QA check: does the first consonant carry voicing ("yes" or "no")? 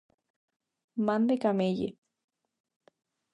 yes